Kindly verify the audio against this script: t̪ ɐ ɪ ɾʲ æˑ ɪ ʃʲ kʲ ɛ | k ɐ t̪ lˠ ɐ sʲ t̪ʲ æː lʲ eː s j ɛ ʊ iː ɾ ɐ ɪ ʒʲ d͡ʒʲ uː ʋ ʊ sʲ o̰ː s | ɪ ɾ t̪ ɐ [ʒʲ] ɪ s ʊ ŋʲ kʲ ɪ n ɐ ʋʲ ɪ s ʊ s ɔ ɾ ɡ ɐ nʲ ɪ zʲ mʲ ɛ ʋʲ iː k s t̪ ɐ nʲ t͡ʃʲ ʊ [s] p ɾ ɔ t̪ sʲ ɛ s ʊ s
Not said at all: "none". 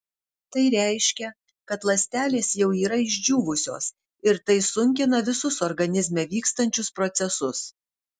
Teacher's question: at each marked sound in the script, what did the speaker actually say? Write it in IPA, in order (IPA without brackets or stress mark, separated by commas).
none, s